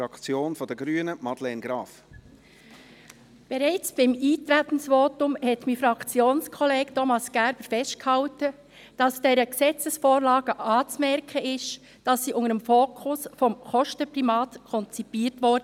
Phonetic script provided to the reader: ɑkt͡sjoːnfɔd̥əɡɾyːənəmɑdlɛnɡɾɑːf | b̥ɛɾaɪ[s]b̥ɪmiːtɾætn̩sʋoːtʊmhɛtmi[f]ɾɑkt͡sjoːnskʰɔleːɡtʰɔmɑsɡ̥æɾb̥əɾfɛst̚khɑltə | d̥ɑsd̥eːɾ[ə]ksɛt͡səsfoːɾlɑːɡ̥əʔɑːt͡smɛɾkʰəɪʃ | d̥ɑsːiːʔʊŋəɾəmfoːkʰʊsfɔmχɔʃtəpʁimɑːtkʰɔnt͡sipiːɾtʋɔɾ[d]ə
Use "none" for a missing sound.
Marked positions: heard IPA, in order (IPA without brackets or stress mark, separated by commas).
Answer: t͡s, f, ə, d